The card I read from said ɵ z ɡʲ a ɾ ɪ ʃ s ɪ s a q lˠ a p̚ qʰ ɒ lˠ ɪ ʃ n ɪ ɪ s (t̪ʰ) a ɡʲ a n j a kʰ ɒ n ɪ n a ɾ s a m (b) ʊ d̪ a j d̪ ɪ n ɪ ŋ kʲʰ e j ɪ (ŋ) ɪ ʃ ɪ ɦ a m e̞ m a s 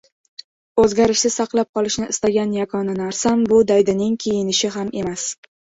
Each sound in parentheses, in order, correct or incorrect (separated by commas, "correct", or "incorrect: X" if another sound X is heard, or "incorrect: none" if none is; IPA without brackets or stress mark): incorrect: t̪, correct, incorrect: n